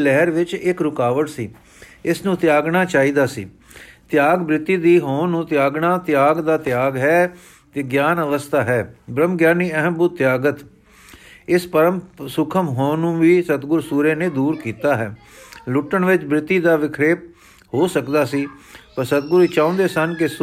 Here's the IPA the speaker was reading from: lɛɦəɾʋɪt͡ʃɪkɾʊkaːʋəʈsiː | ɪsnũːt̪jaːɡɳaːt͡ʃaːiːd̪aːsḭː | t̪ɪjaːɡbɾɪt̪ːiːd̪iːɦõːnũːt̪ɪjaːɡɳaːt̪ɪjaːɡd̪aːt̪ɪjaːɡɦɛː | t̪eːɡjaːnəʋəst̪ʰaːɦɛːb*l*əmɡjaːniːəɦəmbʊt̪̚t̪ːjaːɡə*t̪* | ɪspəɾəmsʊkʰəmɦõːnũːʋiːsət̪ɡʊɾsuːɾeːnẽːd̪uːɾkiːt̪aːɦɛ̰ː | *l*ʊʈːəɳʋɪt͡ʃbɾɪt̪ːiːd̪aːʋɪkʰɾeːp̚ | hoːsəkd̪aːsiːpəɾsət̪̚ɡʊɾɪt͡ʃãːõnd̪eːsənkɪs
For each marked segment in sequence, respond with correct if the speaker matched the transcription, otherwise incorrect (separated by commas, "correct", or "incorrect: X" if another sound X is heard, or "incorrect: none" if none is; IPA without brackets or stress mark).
incorrect: ɾ, correct, correct